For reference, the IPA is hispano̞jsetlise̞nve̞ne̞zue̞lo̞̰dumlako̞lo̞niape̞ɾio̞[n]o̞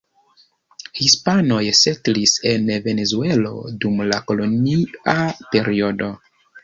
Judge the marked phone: incorrect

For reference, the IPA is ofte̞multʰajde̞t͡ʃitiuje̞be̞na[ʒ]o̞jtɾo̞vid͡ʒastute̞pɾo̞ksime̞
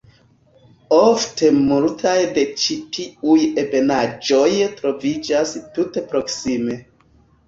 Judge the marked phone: incorrect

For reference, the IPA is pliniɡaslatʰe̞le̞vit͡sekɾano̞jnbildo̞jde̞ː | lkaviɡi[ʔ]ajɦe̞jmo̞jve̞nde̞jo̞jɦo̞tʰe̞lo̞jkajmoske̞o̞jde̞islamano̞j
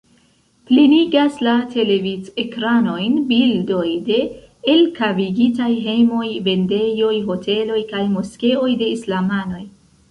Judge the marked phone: incorrect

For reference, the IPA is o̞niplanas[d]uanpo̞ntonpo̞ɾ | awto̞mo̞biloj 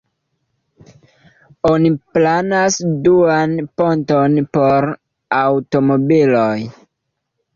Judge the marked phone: correct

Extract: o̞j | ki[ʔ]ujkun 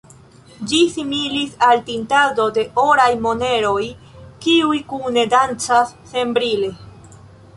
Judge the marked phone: incorrect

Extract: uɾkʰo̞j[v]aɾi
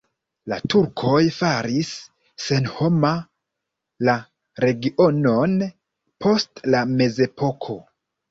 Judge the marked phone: incorrect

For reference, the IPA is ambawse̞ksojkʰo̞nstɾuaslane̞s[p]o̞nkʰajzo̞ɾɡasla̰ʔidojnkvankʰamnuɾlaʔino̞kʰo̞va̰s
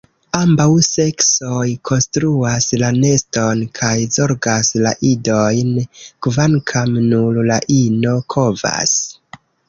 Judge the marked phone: incorrect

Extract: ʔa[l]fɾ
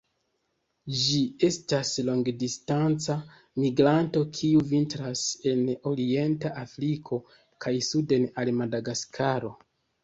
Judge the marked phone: incorrect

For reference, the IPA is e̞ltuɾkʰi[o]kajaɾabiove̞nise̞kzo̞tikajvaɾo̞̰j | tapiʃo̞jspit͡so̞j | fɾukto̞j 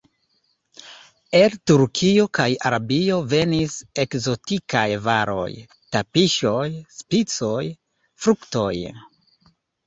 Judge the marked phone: correct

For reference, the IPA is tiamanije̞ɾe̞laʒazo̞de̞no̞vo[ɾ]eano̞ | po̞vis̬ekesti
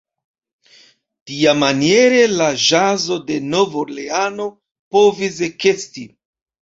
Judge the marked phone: incorrect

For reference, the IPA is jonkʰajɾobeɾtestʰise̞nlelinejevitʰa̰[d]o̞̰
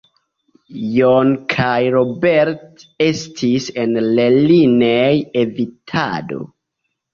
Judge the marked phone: correct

